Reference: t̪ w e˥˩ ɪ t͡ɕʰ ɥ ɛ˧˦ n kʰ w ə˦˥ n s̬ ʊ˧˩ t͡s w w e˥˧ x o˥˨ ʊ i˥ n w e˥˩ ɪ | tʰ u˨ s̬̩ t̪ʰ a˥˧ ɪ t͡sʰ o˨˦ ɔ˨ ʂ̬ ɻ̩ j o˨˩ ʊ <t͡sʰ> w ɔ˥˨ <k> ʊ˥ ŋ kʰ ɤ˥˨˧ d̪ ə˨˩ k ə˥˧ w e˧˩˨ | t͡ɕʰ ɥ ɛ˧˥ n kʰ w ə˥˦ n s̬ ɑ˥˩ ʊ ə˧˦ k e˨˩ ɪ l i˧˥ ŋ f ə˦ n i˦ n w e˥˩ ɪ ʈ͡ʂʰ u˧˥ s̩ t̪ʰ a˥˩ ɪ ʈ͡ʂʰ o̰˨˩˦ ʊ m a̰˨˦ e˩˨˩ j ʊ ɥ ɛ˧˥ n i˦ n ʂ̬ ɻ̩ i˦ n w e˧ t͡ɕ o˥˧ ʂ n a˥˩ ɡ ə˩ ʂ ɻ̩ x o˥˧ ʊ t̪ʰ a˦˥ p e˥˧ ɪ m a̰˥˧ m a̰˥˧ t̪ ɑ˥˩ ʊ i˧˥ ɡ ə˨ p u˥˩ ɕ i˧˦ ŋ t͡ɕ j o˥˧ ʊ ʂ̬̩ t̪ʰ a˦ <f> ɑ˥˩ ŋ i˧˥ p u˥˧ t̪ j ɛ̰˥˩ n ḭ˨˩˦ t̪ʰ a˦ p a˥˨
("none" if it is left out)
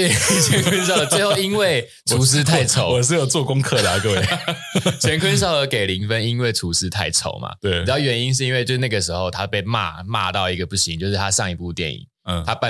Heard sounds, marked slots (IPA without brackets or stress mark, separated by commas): t͡s, k, ʂ